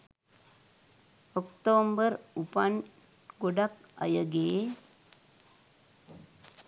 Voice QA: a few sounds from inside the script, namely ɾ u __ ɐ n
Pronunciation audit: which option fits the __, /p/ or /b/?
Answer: p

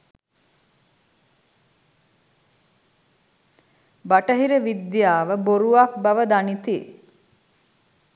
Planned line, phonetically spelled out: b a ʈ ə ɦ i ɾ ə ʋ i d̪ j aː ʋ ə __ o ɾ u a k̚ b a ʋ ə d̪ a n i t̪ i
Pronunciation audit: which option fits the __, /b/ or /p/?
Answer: b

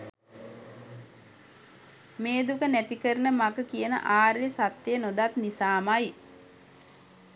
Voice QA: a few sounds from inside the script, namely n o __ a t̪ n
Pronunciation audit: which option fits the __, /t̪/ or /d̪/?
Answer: d̪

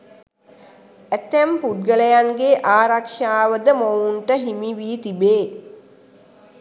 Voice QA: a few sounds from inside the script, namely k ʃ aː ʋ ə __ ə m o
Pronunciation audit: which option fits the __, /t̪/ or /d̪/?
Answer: d̪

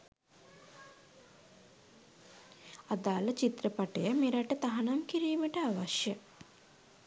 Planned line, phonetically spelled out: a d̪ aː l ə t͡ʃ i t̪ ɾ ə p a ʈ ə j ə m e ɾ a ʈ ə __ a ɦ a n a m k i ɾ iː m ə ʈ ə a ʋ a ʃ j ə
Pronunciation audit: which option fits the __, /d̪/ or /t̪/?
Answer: t̪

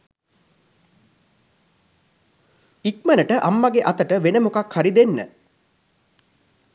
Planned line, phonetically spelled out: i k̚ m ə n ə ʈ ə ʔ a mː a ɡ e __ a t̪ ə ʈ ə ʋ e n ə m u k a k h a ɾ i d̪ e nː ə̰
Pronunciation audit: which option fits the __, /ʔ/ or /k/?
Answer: ʔ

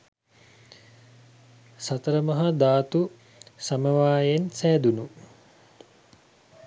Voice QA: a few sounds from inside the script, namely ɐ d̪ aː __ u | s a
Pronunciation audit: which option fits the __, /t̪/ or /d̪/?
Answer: t̪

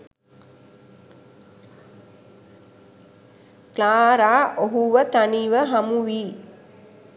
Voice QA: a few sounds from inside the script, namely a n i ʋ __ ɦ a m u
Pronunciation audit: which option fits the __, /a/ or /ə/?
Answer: ə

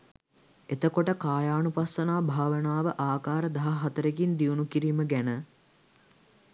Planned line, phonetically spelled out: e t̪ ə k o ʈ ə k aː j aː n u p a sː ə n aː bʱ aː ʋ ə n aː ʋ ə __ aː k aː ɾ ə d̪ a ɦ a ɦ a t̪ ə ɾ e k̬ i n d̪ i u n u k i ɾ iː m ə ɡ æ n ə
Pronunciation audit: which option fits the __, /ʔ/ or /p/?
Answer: ʔ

